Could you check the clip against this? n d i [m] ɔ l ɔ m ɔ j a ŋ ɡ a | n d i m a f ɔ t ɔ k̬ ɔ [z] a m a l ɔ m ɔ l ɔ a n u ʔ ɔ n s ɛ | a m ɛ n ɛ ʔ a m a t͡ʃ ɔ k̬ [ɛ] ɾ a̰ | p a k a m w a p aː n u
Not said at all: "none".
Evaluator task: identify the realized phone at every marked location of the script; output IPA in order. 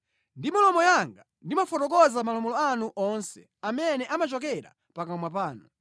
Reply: m, z, ɛ

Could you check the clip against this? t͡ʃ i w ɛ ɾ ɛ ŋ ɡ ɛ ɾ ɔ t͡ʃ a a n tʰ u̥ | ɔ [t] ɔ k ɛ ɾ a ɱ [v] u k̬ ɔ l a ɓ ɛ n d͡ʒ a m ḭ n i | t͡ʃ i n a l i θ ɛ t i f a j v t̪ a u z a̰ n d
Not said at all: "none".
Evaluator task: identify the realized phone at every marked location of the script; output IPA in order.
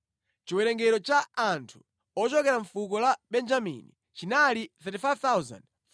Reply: t͡ʃ, f

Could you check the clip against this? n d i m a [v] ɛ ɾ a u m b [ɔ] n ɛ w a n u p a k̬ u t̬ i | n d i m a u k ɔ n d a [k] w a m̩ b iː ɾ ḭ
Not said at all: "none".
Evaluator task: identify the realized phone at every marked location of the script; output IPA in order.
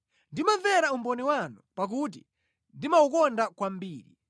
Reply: v, ɔ, k

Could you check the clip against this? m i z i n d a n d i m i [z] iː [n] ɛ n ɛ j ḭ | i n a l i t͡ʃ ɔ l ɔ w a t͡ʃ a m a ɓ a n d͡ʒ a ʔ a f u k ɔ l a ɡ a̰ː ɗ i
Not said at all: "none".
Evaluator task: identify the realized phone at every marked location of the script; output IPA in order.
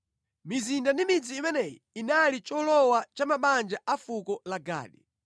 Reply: d͡z, m

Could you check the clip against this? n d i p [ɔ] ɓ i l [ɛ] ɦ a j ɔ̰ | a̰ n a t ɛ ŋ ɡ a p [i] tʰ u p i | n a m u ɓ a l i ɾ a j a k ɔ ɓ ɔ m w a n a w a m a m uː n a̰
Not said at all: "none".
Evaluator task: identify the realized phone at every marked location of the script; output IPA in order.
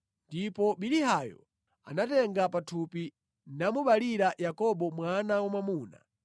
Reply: ɔ, i, a

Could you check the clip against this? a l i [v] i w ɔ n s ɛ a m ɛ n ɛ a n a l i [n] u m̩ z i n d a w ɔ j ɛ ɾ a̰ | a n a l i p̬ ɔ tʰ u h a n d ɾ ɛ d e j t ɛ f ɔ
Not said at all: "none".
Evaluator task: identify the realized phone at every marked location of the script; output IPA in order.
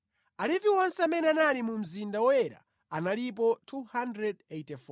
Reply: v, m

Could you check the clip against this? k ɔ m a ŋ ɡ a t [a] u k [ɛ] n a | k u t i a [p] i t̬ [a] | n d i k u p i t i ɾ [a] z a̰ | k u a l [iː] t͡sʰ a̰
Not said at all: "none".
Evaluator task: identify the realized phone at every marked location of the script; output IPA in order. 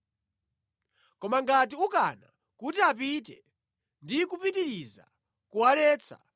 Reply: i, a, p, ɛ, i, ɛː

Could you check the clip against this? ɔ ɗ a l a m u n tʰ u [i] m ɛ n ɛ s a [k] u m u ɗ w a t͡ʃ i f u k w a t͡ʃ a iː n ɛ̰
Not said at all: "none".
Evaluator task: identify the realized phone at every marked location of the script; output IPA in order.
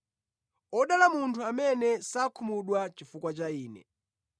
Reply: a, kʰ

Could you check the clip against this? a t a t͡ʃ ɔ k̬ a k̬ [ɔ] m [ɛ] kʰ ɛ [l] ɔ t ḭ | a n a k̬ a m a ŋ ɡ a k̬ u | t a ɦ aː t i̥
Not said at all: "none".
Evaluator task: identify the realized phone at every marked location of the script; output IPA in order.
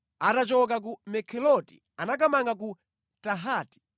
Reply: u, ɛ, l

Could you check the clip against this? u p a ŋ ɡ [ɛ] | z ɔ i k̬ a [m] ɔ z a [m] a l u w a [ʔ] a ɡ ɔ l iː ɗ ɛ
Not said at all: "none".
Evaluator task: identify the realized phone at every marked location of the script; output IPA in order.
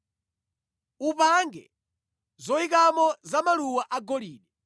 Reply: ɛ, m, m, ʔ

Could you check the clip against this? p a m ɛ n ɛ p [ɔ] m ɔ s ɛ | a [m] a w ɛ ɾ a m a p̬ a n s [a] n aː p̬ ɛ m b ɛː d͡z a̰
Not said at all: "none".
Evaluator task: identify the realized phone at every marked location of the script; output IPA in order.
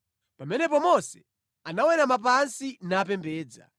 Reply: ɔ, n, i

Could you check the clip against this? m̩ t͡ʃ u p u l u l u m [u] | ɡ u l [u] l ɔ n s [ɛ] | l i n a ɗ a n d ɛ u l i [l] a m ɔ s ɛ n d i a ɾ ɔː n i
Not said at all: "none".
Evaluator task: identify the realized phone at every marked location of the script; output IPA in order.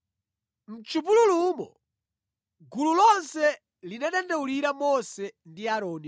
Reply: ɔ, u, ɛ, ɾ

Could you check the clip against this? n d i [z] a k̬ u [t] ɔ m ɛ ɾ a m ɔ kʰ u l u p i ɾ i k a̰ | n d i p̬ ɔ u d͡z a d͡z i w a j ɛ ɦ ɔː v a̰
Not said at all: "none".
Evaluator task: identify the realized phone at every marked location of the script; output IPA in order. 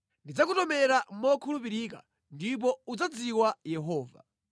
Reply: d͡z, t

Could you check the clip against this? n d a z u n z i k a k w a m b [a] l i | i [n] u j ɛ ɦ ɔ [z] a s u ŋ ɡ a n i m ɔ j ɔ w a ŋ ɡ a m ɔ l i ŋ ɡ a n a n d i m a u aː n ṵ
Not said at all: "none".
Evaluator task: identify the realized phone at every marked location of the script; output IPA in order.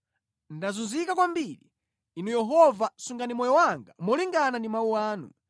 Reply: i, n, v

